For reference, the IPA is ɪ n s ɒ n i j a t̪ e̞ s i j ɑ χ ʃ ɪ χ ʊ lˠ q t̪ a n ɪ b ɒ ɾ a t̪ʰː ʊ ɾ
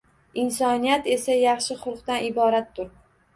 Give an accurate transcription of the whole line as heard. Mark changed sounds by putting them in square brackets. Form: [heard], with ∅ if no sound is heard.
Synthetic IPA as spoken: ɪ n s ɒ n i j a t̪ e̞ s [a] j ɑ χ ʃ ɪ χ ʊ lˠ q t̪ a n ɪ b ɒ ɾ a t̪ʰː ʊ ɾ